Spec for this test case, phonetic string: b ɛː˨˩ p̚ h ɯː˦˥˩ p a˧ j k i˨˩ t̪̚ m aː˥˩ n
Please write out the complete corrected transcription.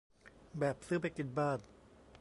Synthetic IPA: b ɛː˨˩ p̚ s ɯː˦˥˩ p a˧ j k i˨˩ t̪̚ b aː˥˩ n